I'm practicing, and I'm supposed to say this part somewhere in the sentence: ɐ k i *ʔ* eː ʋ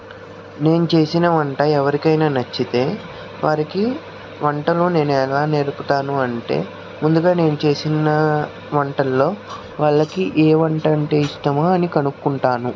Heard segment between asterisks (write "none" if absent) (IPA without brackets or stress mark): ʔ